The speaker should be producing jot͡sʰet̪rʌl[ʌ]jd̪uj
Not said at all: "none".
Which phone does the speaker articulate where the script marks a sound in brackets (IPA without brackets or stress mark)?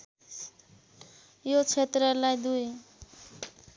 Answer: a